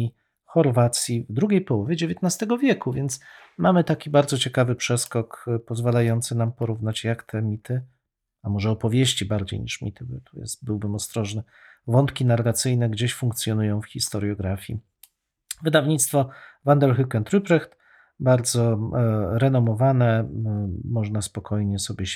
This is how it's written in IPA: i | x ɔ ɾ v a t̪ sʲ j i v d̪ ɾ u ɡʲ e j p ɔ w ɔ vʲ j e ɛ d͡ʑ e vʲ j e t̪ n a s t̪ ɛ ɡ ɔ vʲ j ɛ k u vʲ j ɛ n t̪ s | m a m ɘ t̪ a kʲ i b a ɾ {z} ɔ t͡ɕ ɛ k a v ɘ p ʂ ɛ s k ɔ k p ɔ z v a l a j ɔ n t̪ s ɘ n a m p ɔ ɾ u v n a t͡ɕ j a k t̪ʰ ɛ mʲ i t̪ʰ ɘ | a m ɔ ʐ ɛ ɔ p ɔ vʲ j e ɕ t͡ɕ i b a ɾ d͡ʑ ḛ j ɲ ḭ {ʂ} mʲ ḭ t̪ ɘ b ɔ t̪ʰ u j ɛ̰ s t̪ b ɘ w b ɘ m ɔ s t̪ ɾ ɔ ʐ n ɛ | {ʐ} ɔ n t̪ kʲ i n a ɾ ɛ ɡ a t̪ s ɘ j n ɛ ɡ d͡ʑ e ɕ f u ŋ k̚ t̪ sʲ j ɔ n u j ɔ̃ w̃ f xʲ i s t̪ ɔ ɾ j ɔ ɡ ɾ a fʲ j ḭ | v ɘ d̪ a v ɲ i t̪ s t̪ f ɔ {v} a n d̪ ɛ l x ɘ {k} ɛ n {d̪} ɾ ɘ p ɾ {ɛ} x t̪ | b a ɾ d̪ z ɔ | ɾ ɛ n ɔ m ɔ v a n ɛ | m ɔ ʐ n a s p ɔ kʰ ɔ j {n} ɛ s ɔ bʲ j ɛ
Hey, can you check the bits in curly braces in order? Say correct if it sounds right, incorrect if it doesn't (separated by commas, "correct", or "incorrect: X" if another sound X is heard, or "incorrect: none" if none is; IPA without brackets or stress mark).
correct, correct, incorrect: v, correct, correct, incorrect: t̪, correct, incorrect: ɲ